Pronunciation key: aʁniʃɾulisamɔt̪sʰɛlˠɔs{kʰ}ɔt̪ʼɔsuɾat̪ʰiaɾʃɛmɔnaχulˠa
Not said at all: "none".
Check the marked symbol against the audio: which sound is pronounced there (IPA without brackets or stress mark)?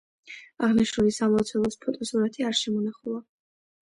pʰ